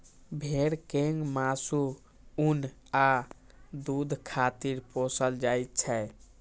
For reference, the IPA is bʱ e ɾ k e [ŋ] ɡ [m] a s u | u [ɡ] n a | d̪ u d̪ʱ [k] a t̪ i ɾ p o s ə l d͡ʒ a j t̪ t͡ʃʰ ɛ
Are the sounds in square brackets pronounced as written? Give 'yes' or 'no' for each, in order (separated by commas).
yes, yes, no, no